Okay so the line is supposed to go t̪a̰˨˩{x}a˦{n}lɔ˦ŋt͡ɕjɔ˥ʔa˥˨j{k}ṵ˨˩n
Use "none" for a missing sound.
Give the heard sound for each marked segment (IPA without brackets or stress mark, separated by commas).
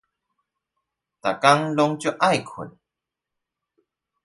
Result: k, ŋ, kʰ